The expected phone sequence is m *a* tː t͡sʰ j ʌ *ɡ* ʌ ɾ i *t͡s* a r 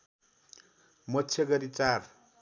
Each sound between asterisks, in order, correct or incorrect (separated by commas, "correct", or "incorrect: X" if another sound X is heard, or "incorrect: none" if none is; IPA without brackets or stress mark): incorrect: ʌ, correct, correct